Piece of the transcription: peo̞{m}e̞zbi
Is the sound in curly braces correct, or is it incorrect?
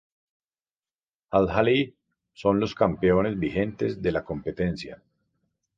incorrect